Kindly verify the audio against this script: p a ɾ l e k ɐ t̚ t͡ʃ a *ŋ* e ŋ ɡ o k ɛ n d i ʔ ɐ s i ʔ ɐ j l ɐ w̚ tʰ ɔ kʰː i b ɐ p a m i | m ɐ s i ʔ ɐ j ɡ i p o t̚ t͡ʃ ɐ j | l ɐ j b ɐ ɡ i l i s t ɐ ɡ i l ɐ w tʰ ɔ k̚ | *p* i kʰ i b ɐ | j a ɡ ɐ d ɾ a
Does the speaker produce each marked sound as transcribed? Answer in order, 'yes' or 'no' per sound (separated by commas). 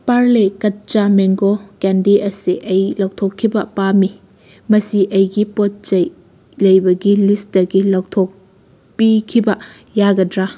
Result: no, yes